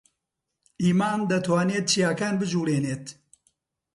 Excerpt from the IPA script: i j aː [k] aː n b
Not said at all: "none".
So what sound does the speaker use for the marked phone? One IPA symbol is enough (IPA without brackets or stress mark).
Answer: k